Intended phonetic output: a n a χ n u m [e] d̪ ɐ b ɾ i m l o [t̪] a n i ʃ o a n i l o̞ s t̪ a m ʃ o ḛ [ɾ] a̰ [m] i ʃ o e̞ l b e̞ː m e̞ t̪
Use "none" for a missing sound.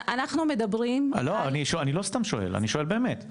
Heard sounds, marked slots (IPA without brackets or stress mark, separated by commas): e, none, l, n